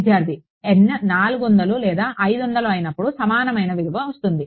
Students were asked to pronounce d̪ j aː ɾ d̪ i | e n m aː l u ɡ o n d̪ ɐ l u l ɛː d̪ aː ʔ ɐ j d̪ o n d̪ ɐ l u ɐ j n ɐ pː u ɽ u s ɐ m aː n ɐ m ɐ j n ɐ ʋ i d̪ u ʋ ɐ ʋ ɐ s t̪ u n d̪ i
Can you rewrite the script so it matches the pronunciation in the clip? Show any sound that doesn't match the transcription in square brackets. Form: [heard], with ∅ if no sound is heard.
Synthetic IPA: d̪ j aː ɾ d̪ i | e n [n] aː l u ɡ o n d̪ ɐ l u l ɛː d̪ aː ʔ ɐ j d̪ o n d̪ ɐ l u ɐ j n ɐ pː u ɽ u s ɐ m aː n ɐ m ɐ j n ɐ ʋ i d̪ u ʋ ɐ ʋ ɐ s t̪ u n d̪ i